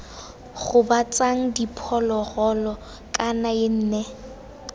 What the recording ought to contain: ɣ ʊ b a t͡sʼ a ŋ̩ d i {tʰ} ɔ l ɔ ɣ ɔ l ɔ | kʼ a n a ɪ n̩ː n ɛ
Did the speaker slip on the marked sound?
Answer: yes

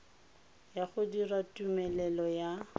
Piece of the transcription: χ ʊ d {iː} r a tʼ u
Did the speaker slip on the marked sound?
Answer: yes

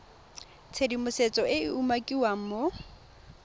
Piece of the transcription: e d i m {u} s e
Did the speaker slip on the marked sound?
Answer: yes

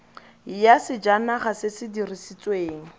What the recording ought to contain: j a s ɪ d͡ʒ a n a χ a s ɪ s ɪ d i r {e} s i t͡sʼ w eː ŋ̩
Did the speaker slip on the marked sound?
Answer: yes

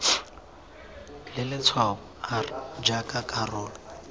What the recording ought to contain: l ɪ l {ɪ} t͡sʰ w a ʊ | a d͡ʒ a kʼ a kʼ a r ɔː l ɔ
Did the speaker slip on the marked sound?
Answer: no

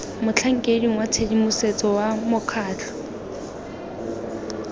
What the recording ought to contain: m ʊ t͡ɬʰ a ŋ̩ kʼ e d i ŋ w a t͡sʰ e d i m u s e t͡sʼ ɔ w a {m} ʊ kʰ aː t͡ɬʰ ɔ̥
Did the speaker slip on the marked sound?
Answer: no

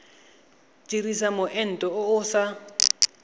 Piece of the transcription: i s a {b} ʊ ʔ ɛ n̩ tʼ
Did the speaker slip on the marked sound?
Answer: yes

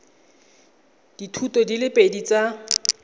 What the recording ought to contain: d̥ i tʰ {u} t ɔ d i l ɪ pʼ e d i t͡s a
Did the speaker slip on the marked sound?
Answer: no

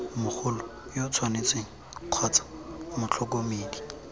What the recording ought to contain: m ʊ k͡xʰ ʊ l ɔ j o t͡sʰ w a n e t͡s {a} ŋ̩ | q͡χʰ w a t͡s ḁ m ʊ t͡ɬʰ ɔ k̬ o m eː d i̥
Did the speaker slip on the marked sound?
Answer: yes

